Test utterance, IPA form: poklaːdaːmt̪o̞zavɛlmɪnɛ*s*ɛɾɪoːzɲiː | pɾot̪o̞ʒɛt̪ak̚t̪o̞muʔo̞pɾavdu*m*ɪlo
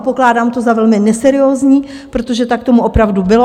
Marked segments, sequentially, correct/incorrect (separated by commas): correct, incorrect